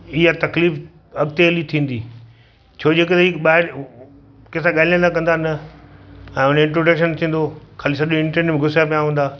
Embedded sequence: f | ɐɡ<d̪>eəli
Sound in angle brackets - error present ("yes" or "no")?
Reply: yes